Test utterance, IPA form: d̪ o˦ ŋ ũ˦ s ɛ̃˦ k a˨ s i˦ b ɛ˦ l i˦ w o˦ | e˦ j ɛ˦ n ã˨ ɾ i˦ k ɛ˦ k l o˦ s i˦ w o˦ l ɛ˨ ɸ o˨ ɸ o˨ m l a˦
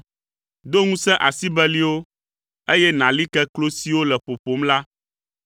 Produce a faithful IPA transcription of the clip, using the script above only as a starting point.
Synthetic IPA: d̪ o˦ ŋ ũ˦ s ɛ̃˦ ʔ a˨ s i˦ b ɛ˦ l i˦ w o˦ | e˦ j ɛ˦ n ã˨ l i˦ k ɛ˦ k l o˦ s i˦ w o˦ l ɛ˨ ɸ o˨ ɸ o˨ m l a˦

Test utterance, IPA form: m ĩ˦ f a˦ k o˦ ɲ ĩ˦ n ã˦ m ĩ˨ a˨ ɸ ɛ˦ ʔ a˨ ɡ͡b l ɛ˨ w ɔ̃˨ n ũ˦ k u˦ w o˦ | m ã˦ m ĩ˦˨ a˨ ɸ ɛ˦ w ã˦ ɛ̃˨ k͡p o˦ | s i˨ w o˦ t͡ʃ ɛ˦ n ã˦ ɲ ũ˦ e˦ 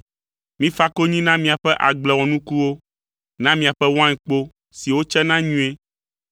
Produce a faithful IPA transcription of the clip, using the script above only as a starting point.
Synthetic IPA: m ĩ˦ f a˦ k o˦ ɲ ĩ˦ n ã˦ m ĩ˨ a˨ ɸ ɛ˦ ʔ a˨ ɡ͡b l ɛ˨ w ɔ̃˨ n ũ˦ k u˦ w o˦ | n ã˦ m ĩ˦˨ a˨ ɸ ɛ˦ w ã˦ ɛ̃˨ k͡p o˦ | s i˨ w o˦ t͡ʃ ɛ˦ n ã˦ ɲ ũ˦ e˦

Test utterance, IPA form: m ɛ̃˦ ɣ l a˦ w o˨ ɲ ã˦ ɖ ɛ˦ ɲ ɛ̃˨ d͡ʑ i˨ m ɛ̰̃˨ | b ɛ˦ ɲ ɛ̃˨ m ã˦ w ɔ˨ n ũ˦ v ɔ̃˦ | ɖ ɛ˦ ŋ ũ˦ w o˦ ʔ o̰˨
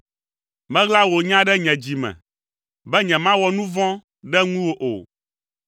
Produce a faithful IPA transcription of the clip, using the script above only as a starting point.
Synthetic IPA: m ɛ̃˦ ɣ l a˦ w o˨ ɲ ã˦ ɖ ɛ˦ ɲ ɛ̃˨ d͡ʑ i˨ m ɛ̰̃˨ | b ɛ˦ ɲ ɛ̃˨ m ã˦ w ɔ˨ n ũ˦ v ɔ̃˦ | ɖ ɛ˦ ŋ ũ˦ w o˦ ʔ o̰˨

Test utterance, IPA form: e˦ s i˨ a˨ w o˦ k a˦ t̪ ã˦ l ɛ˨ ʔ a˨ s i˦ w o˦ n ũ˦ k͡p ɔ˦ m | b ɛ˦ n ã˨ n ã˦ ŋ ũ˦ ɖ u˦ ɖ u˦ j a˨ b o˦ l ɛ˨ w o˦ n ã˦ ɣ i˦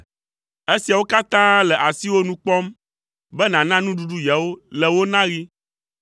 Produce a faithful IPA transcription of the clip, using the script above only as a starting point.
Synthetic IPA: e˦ s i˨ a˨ w o˦ k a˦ t̪ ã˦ l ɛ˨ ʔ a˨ s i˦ w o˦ n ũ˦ k͡p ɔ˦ m | b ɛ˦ n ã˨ n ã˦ n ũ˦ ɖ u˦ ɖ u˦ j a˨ w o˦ l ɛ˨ w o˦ n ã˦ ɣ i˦

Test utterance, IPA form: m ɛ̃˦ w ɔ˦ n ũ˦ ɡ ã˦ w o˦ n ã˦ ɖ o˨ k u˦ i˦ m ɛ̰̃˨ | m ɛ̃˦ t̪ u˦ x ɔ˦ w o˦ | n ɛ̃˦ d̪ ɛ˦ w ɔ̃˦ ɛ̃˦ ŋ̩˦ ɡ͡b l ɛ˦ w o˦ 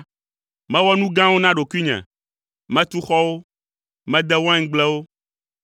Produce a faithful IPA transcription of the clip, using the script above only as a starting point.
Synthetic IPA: m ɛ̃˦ w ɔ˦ n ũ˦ ɡ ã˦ w o˦ n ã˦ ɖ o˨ k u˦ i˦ ɲ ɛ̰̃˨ | m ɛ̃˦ t̪ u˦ x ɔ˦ w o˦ | m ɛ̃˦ d̪ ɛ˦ w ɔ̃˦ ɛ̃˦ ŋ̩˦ ɡ͡b l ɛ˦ w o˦

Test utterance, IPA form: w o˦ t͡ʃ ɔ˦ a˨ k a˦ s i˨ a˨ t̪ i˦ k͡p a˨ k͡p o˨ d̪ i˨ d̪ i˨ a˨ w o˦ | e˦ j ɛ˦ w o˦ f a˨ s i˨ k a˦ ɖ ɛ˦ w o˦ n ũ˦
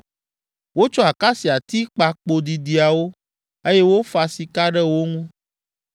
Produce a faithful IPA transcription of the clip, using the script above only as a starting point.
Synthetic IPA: w o˦ t͡ʃ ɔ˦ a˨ k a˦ s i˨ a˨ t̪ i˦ k͡p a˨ k͡p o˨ d̪ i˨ d̪ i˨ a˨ w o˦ | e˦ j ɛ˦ w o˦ f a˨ s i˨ k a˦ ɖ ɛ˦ w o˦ ŋ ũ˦

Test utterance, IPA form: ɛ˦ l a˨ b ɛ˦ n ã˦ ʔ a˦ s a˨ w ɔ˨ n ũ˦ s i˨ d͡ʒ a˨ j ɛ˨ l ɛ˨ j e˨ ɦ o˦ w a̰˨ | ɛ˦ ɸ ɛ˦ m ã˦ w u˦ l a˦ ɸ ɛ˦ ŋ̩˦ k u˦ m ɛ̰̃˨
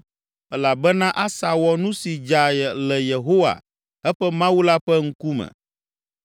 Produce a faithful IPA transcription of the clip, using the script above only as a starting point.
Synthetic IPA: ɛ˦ l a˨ b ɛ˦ n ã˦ ʔ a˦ s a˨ w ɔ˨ n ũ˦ s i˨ d͡ʒ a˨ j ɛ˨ l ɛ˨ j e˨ ɦ o˦ w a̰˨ | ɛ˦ ɸ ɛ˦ m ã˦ w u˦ l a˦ ɸ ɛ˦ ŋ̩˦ k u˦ m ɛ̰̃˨

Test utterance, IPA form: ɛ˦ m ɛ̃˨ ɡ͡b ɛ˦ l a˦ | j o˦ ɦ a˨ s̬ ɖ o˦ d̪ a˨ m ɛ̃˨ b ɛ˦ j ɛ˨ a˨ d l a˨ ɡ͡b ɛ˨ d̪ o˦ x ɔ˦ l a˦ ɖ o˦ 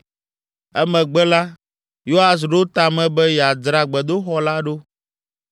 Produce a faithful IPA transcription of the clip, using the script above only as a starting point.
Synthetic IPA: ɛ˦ m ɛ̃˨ ɡ͡b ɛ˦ l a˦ | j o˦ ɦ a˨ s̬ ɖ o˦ t̪ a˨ m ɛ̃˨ b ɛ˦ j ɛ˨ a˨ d ɾ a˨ ɡ͡b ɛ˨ d̪ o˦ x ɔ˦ l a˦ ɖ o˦

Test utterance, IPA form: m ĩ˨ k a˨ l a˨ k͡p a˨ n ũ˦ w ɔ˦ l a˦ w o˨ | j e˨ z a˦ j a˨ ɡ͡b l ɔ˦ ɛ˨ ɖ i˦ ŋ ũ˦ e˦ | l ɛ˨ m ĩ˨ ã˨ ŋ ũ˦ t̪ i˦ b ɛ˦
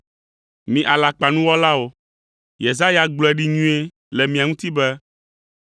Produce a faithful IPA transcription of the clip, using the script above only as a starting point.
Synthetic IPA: m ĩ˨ ʔ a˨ l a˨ k͡p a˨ n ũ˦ w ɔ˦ l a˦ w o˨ | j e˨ z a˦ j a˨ ɡ͡b l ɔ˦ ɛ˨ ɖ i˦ ɲ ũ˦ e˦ | l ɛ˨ m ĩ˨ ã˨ ŋ ũ˦ t̪ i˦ b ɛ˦

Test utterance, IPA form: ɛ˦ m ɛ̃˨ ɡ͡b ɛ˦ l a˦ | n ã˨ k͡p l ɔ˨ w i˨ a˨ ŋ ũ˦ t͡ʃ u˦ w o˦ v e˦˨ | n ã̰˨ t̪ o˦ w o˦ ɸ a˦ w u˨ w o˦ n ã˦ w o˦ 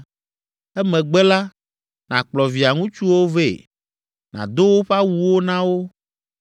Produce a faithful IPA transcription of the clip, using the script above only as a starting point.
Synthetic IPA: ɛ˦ m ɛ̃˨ ɡ͡b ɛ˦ l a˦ | n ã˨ k͡p l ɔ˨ v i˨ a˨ ŋ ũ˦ t͡ʃ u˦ w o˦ v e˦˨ | n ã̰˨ d̪ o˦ w o˦ ɸ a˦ w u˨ w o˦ n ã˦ w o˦

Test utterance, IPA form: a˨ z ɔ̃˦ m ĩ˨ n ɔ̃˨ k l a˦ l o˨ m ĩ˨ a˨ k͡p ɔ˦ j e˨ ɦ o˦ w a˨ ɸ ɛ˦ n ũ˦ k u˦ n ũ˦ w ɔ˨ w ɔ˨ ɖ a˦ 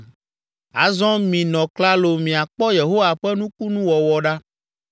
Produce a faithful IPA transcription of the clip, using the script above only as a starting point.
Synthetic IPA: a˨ z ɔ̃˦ m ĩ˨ n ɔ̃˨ k l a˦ l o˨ m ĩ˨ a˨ k͡p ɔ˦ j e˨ ɦ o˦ w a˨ ɸ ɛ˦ n ũ˦ k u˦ n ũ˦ w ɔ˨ w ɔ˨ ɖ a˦

